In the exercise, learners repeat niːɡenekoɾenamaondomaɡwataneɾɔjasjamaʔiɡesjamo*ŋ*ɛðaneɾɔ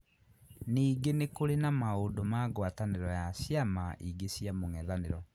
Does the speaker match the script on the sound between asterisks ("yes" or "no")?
yes